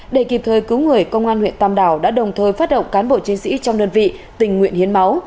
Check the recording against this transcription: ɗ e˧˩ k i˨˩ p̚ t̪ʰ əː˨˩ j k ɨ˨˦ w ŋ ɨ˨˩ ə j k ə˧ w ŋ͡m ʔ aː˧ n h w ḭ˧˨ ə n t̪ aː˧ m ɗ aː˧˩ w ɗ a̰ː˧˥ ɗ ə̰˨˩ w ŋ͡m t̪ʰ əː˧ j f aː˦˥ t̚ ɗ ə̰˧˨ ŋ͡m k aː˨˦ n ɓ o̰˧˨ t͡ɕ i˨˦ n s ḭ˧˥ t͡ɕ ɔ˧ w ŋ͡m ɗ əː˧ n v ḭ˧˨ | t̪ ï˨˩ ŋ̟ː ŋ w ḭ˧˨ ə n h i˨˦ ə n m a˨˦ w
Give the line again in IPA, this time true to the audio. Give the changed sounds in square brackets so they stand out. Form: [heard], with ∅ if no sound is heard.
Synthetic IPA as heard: ɗ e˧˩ k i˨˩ p̚ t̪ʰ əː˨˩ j k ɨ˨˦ w ŋ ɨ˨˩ ə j k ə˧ w ŋ͡m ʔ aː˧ n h w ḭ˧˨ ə n t̪ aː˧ m ɗ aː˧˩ w ɗ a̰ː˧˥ ɗ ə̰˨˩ w ŋ͡m t̪ʰ əː˧ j f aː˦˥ t̚ ɗ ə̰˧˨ ŋ͡m k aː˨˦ n ɓ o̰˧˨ t͡ɕ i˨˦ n s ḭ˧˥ t͡ɕ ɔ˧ w ŋ͡m ɗ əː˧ n v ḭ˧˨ | t̪ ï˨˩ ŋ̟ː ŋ w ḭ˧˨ ə n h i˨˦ ə n m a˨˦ w